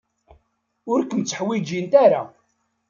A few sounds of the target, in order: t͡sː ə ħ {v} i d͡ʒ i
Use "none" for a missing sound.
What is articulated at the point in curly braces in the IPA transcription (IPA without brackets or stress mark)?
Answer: w